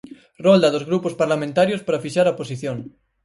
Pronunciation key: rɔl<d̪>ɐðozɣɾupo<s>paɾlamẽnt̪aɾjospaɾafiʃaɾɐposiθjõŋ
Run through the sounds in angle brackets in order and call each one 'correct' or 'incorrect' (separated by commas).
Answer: correct, correct